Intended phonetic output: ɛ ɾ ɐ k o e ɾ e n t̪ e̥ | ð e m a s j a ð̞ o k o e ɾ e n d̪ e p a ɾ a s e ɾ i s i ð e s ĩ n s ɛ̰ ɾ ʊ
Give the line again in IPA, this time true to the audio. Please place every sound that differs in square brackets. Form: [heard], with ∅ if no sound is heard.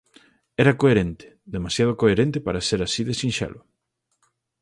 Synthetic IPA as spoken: ɛ ɾ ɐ k o e ɾ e n t̪ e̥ | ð e m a s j a ð̞ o k o e ɾ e n [t̪] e p a ɾ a s e ɾ [a] s i ð e s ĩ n [ʃ] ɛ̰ [l] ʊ